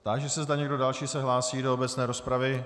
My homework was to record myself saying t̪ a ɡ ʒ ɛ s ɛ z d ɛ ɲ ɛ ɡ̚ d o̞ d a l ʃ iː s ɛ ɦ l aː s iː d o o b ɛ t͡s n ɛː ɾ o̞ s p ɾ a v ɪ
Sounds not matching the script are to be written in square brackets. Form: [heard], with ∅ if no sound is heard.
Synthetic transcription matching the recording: t̪ a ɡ ʒ ɛ s ɛ z d [a] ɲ ɛ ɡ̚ d o̞ d a l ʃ iː s ɛ ɦ l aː s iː d o o b ɛ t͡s n ɛː ɾ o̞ s p ɾ a v ɪ